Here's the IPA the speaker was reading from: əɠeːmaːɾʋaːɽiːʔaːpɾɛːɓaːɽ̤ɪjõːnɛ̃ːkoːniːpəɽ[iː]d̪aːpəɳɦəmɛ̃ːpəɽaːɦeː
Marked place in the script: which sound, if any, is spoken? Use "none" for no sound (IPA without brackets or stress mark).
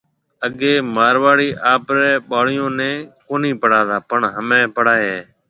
aː